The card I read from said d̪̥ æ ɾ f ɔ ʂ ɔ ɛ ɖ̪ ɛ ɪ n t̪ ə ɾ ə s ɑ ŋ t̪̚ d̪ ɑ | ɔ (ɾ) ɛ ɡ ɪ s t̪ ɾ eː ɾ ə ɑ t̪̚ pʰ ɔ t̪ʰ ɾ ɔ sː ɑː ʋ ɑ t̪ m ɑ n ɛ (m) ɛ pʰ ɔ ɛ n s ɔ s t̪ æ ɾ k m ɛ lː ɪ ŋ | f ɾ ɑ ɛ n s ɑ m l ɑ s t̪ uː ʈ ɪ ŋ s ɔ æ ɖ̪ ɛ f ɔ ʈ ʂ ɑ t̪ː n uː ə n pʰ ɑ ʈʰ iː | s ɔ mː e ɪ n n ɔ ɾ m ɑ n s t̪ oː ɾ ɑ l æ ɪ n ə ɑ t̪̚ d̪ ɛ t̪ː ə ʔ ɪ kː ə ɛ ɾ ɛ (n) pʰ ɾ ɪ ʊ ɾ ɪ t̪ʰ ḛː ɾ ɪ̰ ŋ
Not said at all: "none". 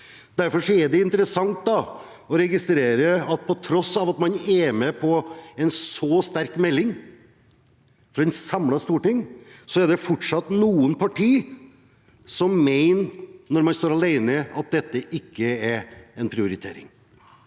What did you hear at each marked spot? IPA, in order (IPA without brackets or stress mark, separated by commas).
ɾ, m, n